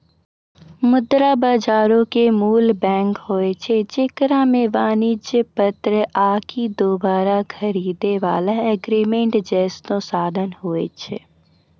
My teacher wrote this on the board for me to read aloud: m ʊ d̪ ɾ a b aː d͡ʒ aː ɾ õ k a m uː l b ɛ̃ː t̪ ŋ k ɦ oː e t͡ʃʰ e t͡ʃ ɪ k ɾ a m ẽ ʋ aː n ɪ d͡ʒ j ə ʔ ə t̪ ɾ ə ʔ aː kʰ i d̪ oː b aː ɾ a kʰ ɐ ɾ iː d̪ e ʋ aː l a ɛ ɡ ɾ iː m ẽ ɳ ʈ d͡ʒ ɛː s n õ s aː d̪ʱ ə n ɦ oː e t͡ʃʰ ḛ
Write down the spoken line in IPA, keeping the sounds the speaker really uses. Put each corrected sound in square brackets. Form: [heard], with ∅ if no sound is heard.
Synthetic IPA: m ʊ d̪ ɾ a b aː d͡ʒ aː ɾ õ k [e] m uː l b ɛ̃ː [∅] ŋ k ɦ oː e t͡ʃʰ e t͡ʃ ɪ k ɾ a m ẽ ʋ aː n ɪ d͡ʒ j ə [p] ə t̪ ɾ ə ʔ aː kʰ i d̪ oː b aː ɾ a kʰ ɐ ɾ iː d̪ e ʋ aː l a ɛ ɡ ɾ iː m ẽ ɳ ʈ d͡ʒ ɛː s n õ s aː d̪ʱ ə n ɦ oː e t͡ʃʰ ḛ